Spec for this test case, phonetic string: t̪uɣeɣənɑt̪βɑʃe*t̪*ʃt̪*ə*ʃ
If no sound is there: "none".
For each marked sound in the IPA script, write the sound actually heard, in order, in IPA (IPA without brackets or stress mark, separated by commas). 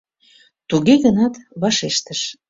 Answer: none, ə